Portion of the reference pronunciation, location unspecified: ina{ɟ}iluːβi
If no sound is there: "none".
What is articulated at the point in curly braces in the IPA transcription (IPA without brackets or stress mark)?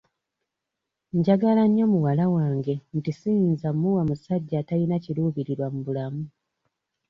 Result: c